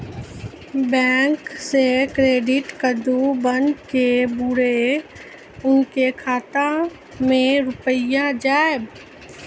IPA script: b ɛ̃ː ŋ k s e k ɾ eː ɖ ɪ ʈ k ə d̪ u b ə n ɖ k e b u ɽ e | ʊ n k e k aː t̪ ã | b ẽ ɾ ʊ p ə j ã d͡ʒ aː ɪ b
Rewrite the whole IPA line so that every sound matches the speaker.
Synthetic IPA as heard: b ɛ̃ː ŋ k s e k ɾ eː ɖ ɪ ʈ k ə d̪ u b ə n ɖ k e b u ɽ e | ʊ n k e kʰ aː t̪ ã | m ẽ ɾ ʊ p ə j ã d͡ʒ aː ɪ b